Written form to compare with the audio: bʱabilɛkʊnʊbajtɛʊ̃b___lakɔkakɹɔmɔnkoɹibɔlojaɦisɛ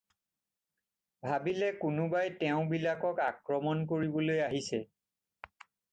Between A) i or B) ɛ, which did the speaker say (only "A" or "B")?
A